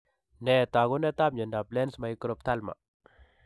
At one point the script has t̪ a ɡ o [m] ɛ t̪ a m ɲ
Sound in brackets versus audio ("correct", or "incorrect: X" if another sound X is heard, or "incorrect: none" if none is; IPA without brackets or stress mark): incorrect: n